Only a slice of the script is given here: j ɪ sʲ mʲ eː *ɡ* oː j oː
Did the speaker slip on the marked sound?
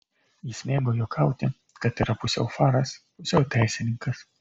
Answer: no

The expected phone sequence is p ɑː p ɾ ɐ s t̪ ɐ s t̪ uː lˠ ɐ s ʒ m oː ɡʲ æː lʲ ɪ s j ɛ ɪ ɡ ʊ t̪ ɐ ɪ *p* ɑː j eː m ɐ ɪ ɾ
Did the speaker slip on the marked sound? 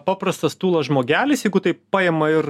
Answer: no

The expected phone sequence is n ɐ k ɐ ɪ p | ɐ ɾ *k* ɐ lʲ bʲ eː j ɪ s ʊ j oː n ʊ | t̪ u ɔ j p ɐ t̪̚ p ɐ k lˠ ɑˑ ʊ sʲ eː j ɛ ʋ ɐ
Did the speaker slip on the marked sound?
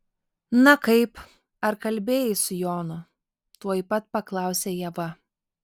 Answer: no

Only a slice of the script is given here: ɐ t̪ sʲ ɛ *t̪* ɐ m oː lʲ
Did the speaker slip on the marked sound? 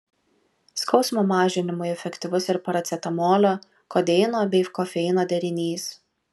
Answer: no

